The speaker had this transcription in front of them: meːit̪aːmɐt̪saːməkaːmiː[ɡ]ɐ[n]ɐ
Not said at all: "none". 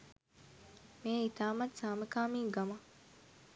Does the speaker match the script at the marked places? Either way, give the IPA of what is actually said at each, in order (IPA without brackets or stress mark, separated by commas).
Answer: ɡ, m